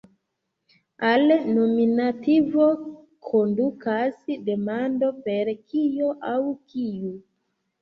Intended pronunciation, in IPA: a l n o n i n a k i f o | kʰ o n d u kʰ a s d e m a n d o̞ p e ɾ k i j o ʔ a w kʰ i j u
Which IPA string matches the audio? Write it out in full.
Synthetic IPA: a l n o m i n a t i v o | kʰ o n d u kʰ a s d e m a n d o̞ p e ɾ k i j o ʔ a w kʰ i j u